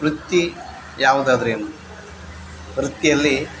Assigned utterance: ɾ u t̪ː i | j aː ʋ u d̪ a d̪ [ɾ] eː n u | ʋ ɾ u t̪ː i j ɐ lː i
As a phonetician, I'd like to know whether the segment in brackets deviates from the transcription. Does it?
no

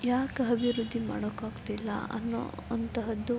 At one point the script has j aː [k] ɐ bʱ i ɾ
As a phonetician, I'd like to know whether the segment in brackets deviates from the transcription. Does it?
no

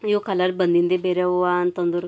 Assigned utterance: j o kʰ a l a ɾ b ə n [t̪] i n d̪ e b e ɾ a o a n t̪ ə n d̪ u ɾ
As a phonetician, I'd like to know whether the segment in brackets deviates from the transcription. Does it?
yes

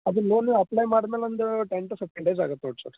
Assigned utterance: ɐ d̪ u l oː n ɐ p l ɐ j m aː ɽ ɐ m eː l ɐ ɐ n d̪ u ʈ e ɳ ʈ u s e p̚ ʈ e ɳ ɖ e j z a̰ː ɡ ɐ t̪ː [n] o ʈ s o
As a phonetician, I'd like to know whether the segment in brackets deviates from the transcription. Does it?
no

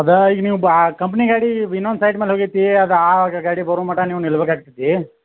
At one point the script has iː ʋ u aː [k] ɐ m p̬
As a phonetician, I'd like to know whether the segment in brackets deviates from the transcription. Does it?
no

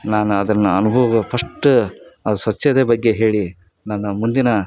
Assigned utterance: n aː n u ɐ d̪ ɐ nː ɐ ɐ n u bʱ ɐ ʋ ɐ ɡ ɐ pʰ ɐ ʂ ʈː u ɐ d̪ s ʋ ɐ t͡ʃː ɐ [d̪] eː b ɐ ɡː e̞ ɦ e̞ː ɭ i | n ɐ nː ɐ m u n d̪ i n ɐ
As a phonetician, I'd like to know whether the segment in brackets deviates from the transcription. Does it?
no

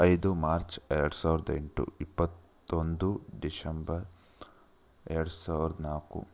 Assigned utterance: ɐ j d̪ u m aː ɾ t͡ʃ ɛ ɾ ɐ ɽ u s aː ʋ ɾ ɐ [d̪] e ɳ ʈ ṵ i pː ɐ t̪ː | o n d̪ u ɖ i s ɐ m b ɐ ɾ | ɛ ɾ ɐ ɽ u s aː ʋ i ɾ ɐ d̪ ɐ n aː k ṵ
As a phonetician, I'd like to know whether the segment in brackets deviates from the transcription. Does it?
no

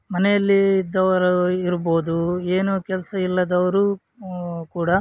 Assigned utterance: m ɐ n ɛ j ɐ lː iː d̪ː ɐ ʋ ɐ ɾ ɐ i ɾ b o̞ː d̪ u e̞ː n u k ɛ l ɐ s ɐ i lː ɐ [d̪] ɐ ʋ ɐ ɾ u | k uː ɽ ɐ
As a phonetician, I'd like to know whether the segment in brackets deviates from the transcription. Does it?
no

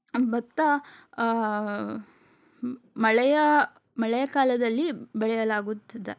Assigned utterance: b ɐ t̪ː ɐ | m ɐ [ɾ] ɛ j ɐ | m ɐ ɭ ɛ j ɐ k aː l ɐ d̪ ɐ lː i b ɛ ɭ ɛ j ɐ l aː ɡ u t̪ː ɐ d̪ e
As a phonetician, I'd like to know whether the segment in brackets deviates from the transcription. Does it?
yes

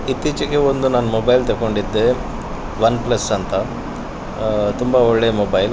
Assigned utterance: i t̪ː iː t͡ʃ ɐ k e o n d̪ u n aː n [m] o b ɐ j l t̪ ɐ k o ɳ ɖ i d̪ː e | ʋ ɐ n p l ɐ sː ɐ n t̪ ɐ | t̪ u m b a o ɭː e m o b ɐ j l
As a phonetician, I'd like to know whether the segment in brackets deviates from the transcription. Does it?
no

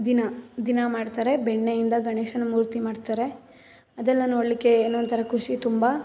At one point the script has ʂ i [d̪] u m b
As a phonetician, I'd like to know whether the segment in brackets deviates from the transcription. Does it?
yes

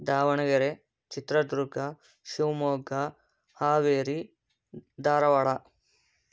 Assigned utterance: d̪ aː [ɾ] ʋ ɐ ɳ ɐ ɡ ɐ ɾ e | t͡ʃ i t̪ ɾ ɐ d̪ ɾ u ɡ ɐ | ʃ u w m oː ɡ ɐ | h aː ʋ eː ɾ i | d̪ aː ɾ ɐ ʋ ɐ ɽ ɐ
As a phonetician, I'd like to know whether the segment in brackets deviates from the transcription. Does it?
yes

